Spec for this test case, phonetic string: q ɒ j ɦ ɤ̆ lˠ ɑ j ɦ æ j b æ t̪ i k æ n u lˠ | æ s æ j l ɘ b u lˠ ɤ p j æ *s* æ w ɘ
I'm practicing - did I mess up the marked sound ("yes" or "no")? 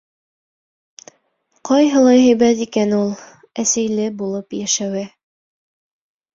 yes